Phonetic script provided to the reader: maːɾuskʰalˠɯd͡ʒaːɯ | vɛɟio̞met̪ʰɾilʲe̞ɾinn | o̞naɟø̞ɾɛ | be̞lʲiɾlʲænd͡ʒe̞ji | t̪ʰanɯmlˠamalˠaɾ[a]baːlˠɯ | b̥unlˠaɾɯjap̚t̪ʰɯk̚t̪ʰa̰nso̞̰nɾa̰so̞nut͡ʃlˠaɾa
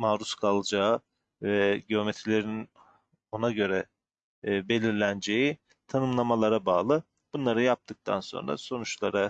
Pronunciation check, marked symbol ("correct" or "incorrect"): correct